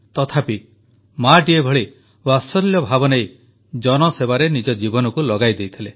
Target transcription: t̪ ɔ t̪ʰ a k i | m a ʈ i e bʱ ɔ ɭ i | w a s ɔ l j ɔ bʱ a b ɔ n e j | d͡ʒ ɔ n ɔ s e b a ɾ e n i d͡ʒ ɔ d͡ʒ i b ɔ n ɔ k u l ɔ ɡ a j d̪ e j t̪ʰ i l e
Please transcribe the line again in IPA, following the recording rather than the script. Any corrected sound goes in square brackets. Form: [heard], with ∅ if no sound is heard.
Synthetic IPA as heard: t̪ ɔ t̪ʰ a [p] i | m a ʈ i e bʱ ɔ ɭ i | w a s ɔ l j ɔ bʱ a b ɔ n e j | d͡ʒ ɔ n ɔ s e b a ɾ e n i d͡ʒ ɔ d͡ʒ i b ɔ n ɔ k u l ɔ ɡ a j d̪ e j t̪ʰ i l e